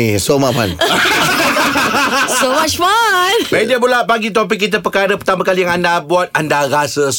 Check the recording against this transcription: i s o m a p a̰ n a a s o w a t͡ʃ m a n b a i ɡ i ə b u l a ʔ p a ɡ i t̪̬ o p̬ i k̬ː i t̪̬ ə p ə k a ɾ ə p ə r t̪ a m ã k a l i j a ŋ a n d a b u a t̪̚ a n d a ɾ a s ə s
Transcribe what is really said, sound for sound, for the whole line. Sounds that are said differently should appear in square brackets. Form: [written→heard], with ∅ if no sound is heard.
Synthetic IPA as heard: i s o m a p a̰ n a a s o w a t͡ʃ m a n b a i [ɡ→d] i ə b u l a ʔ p a ɡ i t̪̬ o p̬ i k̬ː i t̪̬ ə p ə k a ɾ ə p ə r t̪ a m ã k a l i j a ŋ a n d a b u a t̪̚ a n d a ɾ a s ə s